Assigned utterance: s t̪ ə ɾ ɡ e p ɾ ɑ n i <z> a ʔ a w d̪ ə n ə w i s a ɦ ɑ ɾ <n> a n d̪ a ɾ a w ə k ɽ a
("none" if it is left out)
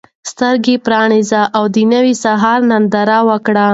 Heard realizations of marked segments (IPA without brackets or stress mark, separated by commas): z, n